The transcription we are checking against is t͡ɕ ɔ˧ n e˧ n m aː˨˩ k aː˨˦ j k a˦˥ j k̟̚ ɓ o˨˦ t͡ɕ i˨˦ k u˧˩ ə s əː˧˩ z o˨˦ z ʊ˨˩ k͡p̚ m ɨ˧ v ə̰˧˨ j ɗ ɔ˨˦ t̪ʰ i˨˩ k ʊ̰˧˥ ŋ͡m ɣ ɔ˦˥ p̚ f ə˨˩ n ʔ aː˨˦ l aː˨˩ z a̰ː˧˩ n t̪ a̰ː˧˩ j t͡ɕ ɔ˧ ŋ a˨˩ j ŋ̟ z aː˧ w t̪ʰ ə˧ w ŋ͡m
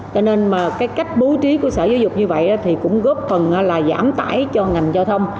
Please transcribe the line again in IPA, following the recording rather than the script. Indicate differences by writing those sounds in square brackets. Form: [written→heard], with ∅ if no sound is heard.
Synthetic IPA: t͡ɕ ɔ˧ n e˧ n m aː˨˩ k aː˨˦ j k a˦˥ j k̟̚ ɓ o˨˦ t͡ɕ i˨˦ k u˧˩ ə s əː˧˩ z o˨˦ z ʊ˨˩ k͡p̚ [m→ɲ] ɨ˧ v ə̰˧˨ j ɗ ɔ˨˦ t̪ʰ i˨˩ k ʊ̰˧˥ ŋ͡m ɣ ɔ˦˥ p̚ f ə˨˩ n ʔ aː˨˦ l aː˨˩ z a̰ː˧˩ [n→m] t̪ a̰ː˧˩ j t͡ɕ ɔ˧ ŋ a˨˩ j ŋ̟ z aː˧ w t̪ʰ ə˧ w ŋ͡m